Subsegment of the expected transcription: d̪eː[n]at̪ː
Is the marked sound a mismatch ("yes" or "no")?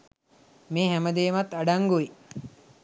yes